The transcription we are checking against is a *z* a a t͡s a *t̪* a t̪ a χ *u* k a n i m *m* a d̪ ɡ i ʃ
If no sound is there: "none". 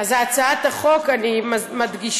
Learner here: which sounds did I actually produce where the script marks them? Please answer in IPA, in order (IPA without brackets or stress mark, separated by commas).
z, none, o, m